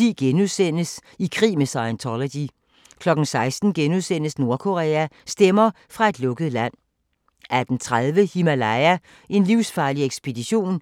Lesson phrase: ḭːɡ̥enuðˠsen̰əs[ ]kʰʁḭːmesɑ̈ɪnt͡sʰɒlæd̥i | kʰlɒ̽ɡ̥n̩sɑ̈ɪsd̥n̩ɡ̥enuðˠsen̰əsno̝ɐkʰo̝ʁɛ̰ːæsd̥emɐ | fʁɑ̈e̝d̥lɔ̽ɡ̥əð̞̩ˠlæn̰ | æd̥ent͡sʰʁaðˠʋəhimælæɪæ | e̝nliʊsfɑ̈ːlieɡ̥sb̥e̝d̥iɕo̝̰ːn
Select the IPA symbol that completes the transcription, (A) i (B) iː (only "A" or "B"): A